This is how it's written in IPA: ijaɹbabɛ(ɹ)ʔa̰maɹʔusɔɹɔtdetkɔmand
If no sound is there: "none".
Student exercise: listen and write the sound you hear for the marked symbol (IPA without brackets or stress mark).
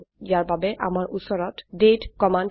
none